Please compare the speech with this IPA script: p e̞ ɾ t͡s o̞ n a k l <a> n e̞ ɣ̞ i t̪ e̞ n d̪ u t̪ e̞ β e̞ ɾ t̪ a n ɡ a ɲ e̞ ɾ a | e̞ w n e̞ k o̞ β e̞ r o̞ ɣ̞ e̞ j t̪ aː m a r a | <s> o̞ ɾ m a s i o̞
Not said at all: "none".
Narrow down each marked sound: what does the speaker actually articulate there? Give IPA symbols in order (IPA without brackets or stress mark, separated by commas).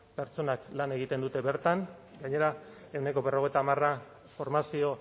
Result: a, f